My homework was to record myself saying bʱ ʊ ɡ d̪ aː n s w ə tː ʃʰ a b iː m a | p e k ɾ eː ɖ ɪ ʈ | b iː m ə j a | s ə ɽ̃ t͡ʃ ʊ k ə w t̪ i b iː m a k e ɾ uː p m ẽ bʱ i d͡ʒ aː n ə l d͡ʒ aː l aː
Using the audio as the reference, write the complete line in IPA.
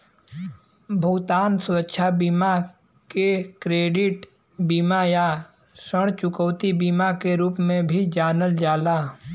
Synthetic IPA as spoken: bʱ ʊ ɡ t̪ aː n s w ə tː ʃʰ a b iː m a | k e k ɾ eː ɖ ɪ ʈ | b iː m a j a | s ə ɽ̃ t͡ʃ ʊ k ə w t̪ i b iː m a k e ɾ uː p m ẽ bʱ i d͡ʒ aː n ə l d͡ʒ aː l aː